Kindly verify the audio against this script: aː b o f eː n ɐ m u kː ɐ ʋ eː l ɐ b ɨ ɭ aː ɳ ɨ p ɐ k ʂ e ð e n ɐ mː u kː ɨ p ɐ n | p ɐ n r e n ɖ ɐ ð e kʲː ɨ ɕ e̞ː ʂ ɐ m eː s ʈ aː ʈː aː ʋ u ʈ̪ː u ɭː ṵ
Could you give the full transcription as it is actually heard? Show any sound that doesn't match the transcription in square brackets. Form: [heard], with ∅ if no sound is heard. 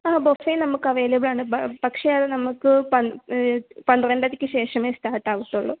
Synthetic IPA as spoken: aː b o f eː n ɐ m u kː ɐ ʋ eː l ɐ b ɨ ɭ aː ɳ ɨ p ɐ k ʂ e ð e n ɐ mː u kː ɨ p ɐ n | p ɐ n r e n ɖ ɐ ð [i] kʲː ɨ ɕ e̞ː ʂ ɐ m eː s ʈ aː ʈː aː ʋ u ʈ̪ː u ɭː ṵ

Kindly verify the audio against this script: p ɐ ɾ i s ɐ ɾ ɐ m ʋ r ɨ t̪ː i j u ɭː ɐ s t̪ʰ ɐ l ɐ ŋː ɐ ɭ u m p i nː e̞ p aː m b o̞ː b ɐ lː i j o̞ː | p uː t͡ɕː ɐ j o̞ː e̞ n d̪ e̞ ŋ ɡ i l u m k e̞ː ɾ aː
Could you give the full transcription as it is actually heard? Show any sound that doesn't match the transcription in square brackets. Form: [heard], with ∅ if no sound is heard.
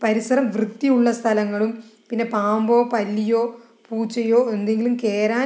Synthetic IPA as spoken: p ɐ ɾ i s ɐ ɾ ɐ m ʋ r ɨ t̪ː i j u ɭː ɐ s t̪ʰ ɐ l ɐ ŋː ɐ ɭ u m p i nː e̞ p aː m b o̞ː [p] ɐ lː i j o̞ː | p uː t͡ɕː ɐ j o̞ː e̞ n d̪ e̞ ŋ ɡ i l u m k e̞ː ɾ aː

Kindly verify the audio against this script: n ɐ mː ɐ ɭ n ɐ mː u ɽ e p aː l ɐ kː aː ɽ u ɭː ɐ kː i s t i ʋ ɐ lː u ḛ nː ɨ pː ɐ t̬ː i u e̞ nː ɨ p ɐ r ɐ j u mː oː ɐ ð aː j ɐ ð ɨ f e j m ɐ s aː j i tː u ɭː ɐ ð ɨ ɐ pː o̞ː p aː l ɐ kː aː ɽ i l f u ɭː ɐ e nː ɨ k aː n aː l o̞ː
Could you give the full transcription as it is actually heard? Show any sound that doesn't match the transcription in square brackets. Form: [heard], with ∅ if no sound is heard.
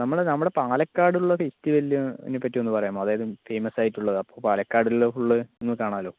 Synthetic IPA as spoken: n ɐ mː ɐ ɭ n ɐ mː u ɽ e p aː l ɐ kː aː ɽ u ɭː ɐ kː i s t i ʋ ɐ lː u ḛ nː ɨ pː ɐ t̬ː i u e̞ nː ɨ p ɐ r ɐ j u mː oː ɐ ð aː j ɐ ð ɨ f e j m ɐ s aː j i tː u ɭː ɐ ð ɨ ɐ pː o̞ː p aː l ɐ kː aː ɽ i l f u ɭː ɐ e nː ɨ k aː [ɳ] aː l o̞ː

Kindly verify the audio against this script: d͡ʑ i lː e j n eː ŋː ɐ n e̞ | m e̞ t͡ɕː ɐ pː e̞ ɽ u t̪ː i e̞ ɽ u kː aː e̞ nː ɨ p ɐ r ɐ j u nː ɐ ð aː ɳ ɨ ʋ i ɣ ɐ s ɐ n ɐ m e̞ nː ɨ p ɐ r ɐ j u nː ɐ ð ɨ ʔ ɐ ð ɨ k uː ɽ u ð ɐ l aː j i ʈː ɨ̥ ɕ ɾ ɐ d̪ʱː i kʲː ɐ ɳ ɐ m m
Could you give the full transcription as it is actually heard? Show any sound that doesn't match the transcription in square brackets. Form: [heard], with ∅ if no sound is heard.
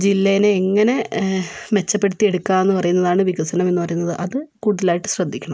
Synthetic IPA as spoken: d͡ʑ i lː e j n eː ŋː ɐ n e̞ | m e̞ t͡ɕː ɐ pː e̞ ɽ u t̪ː i e̞ ɽ u kː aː e̞ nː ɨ p ɐ r ɐ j u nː ɐ ð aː ɳ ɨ ʋ i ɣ ɐ s ɐ n ɐ m e̞ nː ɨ p ɐ r ɐ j u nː ɐ ð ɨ ʔ ɐ ð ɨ k uː ɽ u ð ɐ l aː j i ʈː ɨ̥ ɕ [r] ɐ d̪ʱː i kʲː ɐ ɳ ɐ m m

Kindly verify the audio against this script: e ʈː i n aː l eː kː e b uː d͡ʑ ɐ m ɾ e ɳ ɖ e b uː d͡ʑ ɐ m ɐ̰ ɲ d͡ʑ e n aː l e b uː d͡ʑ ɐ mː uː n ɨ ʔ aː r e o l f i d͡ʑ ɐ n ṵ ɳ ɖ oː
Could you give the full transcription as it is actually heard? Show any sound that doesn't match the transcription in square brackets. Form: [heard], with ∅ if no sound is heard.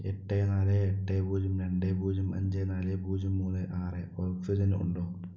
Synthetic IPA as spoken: e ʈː [e] n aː l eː [ʈː] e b uː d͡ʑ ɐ m ɾ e ɳ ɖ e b uː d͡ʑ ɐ m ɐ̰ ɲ d͡ʑ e n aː l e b uː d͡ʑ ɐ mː uː n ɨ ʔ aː r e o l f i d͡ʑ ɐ n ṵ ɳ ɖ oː

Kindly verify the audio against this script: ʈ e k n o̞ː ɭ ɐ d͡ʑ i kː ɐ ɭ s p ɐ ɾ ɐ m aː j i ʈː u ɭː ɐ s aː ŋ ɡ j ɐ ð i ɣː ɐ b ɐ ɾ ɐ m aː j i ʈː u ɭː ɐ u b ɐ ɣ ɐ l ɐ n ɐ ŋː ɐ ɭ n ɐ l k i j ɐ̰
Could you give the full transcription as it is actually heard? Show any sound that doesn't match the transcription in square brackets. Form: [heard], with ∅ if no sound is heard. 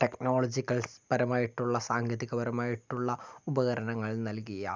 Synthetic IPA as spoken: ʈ e k n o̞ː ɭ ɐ d͡ʑ i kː ɐ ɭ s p ɐ ɾ ɐ m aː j i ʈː u ɭː ɐ s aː ŋ ɡ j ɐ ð i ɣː ɐ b ɐ ɾ ɐ m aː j i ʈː u ɭː ɐ u b ɐ ɣ ɐ [ɾ] ɐ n ɐ ŋː ɐ ɭ n ɐ l k i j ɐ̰

